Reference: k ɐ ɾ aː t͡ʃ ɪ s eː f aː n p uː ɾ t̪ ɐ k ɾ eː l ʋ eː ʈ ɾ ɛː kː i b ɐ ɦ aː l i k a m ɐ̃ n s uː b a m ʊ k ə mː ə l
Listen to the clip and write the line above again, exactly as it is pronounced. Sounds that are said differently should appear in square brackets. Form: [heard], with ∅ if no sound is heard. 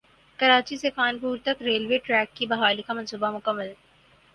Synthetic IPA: k ɐ ɾ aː t͡ʃ [i] s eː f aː n p uː ɾ t̪ ɐ k ɾ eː l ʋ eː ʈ ɾ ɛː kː i b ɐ ɦ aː l i k a m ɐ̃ n s uː b a m ʊ k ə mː ə l